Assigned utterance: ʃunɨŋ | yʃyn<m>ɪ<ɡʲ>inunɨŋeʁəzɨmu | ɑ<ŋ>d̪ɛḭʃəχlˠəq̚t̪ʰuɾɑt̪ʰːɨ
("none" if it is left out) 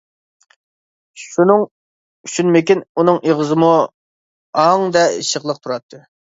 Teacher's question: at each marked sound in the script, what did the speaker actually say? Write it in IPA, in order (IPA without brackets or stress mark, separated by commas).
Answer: m, kʲ, ŋ